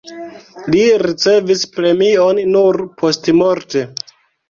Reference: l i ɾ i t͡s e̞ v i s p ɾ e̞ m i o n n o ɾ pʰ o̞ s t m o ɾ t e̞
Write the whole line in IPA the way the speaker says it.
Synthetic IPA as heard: l i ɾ i t͡s e̞ v i s p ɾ e̞ m i o n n u ɾ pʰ o̞ s t m o ɾ t e̞